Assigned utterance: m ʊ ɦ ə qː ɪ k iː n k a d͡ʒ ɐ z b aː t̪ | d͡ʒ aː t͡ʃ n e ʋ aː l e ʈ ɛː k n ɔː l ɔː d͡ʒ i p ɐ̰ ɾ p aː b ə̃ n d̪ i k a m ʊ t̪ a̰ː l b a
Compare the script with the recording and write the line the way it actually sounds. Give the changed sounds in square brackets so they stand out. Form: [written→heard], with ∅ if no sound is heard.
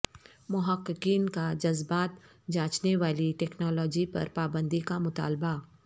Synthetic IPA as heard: m ʊ ɦ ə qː ɪ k iː n k a d͡ʒ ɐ z b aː t̪ | d͡ʒ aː t͡ʃ n e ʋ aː l [e→i] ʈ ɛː k n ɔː l ɔː d͡ʒ i p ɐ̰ ɾ p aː b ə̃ n d̪ i k a m ʊ t̪ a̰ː l b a